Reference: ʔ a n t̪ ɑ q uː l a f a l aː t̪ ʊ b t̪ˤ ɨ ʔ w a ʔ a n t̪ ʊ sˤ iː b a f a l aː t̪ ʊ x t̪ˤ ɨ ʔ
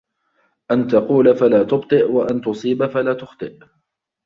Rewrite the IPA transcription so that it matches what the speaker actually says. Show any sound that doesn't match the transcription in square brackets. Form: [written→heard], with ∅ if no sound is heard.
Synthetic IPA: ʔ a n t̪ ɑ q uː l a f a l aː t̪ ʊ b t̪ˤ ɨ ʔ w a ʔ a n t̪ ʊ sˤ iː b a f a l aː t̪ ʊ x t̪ˤ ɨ ʔ